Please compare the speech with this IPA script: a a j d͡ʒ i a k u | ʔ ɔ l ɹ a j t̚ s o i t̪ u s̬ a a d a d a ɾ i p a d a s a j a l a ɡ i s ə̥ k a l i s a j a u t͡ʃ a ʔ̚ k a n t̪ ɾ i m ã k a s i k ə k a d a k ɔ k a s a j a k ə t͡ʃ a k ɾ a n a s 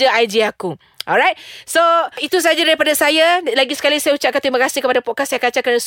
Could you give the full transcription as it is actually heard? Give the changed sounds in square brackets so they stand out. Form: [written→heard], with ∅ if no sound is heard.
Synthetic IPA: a a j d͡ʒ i a k u | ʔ ɔ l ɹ a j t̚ s o i t̪ u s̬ a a [d→d͡ʒ] a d a ɾ i p a d a s a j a l a ɡ i s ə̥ k a l i s a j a u t͡ʃ a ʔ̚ k a n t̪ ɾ i m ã k a s i k ə [k→p] a d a [k→p] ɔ k a s a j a k [ə→a] t͡ʃ a k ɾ a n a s